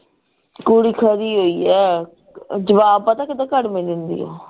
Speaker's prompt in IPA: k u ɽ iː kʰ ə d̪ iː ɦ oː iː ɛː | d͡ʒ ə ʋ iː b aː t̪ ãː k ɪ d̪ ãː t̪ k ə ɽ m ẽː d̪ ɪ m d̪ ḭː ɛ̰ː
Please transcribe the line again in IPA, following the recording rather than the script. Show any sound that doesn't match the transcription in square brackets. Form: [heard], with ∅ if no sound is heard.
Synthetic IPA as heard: k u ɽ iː kʰ ə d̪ iː ɦ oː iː ɛː | d͡ʒ ə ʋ [aː] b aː t̪ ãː k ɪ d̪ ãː [∅] k ə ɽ m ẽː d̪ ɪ [n] d̪ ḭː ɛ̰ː